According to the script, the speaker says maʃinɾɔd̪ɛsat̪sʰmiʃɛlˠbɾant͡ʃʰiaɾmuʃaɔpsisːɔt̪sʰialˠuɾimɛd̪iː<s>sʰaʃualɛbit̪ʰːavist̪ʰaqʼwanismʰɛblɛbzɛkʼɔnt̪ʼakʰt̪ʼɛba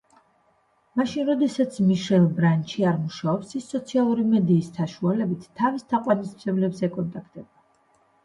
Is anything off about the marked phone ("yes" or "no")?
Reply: no